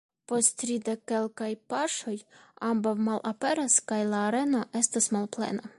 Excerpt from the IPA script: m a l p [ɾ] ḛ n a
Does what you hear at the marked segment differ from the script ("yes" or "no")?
yes